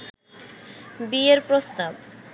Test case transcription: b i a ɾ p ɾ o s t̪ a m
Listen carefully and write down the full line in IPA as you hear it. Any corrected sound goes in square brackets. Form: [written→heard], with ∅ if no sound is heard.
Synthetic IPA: b i [a→e] ɾ p ɾ o s t̪ a [m→b]